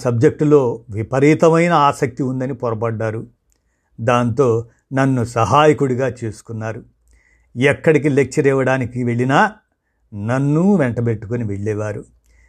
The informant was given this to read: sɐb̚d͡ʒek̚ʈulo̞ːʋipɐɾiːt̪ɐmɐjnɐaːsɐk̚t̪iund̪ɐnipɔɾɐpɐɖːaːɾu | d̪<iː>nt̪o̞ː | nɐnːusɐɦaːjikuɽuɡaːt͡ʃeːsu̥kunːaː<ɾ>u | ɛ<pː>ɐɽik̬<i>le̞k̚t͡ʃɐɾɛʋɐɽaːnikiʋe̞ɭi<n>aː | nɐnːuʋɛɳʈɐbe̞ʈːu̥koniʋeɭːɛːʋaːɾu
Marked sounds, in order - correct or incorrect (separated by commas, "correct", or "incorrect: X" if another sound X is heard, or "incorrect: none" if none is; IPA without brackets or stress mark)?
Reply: incorrect: aː, correct, incorrect: kː, correct, correct